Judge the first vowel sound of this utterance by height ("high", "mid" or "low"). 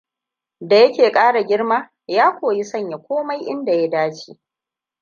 low